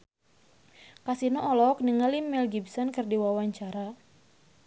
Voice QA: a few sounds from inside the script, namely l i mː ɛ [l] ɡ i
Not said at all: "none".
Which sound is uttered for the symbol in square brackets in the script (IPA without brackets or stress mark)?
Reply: l